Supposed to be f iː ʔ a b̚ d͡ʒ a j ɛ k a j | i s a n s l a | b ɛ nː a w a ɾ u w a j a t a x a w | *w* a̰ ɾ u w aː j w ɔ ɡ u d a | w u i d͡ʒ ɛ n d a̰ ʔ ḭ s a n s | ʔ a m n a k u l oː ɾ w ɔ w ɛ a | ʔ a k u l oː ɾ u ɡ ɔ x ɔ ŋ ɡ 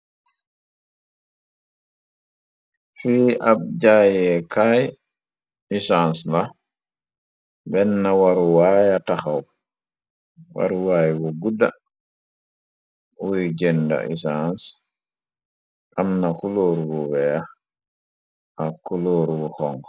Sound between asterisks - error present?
no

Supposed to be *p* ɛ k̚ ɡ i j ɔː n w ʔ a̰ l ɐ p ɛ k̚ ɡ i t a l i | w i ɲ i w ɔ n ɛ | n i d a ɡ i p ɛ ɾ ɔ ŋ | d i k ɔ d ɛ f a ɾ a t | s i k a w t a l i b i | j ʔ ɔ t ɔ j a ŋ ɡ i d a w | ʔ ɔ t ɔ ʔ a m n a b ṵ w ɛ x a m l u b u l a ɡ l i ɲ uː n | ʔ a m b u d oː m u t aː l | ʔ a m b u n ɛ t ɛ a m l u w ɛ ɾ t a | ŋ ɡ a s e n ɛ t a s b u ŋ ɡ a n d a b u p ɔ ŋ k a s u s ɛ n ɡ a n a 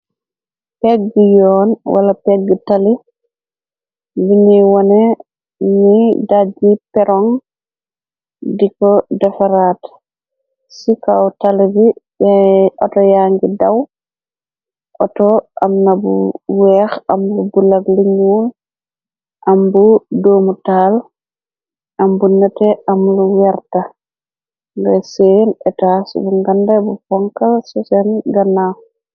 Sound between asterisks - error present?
no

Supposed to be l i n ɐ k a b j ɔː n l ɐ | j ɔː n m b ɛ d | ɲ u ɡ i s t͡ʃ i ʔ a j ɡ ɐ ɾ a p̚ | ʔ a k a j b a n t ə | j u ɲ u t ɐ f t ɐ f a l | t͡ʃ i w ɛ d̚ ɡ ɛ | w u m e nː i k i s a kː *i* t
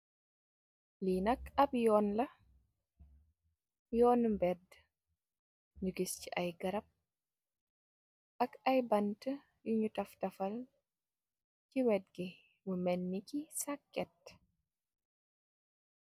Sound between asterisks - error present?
yes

